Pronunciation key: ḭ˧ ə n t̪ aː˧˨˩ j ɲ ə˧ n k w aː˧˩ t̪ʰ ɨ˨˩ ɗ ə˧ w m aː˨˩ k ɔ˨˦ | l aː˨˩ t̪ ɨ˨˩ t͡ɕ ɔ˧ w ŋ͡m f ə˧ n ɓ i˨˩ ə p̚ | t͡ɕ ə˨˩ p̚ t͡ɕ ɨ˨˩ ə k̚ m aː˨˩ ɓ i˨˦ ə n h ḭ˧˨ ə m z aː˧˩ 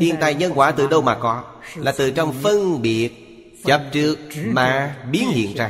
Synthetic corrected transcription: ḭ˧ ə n t̪ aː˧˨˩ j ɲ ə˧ n k w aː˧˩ t̪ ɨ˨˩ ɗ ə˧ w m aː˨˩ k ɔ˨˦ | l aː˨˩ t̪ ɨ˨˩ t͡ɕ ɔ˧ w ŋ͡m f ə˧ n ɓ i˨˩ ə t̚ | t͡ɕ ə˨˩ p̚ t͡ɕ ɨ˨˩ ə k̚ m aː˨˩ ɓ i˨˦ ə n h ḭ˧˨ ə n z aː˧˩